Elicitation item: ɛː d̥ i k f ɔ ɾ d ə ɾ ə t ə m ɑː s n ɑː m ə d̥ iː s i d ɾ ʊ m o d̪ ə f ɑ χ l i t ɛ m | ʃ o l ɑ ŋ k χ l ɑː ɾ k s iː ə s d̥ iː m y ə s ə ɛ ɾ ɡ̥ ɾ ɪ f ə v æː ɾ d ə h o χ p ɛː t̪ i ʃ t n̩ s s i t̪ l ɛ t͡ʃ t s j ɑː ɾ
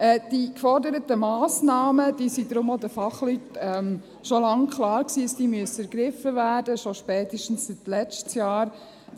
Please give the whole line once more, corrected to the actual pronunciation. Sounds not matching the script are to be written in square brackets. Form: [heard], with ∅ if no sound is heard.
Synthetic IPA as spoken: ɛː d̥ i k f ɔ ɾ d ə ɾ ə t ə m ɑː s n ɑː m ə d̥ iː s i d ɾ ʊ m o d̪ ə f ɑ χ l [y] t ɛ m | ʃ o l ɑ ŋ k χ l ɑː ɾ k s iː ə s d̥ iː m y ə s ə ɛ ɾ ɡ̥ ɾ ɪ f ə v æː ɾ d ə [ʃ] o [ʃ] p ɛː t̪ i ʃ t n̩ s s i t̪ l ɛ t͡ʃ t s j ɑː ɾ